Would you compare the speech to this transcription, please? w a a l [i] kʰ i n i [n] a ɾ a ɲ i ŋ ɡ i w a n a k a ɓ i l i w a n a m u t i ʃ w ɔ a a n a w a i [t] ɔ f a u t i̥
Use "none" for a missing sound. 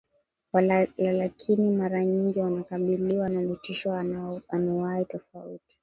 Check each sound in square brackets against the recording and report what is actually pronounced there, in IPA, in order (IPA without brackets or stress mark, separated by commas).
a, m, t